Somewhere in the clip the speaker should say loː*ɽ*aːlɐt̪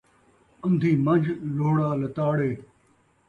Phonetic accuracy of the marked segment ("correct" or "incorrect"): correct